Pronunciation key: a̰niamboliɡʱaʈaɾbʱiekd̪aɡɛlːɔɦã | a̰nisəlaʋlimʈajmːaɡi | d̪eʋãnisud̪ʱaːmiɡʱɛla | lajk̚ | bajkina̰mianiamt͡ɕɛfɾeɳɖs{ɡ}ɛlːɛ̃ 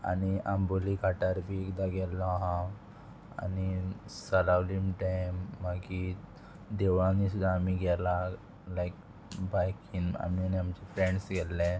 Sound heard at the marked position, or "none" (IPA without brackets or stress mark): ɡ